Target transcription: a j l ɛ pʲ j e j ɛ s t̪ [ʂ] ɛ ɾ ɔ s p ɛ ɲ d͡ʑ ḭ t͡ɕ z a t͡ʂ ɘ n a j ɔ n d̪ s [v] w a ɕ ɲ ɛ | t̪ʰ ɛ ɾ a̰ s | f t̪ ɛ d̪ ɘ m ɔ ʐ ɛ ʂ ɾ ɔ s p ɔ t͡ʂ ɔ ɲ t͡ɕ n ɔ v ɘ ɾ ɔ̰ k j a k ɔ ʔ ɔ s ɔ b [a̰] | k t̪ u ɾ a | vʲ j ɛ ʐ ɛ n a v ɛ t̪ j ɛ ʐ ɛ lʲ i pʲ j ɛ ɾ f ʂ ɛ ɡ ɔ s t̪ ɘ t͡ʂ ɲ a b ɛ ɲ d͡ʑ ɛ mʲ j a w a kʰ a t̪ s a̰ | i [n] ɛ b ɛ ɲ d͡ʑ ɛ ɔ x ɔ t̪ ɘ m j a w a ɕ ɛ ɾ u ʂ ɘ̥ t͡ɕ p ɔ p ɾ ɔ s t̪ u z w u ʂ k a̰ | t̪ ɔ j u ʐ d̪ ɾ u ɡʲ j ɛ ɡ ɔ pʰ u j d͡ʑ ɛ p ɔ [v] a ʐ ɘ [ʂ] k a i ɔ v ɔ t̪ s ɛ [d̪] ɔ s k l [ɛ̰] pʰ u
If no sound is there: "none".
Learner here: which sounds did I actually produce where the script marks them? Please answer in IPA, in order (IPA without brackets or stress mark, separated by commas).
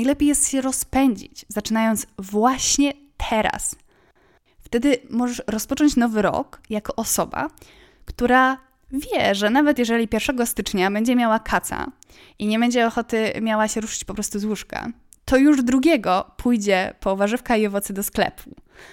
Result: ɕ, v, a̰, ɲ, v, f, d̪, ɛ̰